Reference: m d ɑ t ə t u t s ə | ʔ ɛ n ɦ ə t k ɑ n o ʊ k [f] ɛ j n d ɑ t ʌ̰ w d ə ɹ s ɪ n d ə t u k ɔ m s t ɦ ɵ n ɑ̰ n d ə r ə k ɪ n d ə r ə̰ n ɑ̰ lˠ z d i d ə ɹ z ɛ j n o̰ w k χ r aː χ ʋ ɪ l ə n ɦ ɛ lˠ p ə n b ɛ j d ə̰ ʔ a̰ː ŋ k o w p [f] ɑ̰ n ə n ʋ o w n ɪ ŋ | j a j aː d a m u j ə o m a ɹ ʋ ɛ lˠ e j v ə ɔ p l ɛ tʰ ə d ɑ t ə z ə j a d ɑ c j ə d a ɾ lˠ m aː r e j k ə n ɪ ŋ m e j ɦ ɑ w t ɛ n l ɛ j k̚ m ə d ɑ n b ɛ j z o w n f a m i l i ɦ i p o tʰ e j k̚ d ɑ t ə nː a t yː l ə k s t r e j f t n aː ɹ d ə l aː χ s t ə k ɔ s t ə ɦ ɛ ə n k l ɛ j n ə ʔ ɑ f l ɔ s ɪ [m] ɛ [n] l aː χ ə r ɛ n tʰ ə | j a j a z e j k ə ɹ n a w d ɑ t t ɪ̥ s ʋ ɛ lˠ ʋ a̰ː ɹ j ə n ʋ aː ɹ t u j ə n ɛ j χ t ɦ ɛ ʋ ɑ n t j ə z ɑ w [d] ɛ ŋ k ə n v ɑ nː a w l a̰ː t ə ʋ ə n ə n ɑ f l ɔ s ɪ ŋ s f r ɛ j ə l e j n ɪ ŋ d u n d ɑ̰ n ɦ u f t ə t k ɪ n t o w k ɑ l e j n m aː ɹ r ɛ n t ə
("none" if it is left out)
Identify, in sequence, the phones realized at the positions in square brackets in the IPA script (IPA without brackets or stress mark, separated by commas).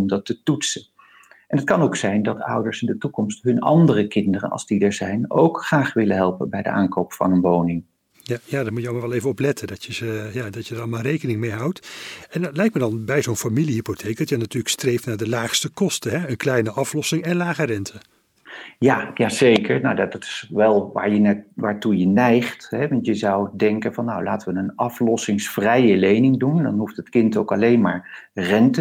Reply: s, f, ŋ, n, d